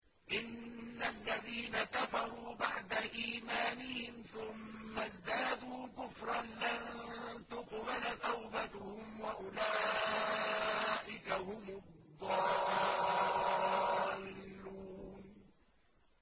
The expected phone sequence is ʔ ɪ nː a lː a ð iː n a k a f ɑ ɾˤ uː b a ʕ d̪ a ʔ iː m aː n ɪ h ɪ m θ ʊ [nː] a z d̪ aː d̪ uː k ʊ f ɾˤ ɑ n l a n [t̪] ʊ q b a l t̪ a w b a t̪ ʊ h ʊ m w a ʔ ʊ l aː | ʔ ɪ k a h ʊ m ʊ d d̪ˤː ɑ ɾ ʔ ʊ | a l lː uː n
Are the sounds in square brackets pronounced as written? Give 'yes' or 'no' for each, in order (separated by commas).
no, yes